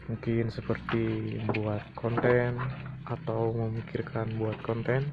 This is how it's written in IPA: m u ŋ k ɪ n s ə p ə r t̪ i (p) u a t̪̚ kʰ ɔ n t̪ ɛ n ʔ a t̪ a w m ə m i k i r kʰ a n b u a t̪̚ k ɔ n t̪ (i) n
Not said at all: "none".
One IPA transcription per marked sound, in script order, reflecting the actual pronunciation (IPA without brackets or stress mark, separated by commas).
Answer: b, ɛ